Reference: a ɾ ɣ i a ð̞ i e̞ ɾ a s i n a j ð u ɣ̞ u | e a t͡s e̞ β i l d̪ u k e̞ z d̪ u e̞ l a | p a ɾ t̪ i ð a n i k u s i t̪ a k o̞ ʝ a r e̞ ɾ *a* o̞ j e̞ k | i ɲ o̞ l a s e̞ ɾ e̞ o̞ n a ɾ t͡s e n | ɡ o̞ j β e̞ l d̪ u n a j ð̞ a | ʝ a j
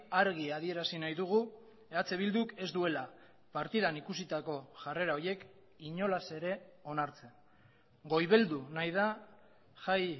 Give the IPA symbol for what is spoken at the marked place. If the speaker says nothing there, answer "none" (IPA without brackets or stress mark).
a